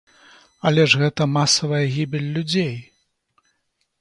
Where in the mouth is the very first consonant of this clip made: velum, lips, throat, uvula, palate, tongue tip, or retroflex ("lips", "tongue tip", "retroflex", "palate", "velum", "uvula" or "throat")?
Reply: tongue tip